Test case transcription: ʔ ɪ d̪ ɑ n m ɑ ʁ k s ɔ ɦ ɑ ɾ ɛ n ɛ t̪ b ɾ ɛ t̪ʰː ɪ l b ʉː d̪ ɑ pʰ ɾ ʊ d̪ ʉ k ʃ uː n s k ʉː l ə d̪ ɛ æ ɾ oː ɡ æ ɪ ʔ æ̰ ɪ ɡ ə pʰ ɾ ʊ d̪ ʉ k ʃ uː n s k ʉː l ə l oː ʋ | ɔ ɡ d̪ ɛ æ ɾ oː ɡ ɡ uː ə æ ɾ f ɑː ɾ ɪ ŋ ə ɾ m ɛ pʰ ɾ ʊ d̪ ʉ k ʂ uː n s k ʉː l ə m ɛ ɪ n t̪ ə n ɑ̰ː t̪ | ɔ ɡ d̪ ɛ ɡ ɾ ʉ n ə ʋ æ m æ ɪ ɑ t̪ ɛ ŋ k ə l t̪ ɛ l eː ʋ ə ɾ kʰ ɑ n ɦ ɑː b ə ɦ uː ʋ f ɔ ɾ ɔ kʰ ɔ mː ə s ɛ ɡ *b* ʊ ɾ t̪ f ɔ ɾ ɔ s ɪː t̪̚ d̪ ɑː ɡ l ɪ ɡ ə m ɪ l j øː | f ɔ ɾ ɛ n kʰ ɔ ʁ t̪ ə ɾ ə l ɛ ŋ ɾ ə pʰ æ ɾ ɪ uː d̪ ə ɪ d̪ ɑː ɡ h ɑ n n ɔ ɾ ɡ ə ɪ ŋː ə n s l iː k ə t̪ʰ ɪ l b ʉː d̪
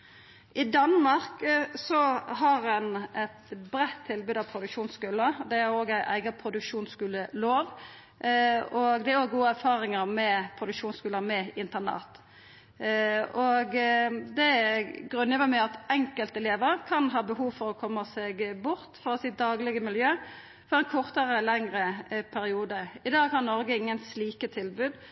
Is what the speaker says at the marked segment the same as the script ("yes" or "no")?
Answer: yes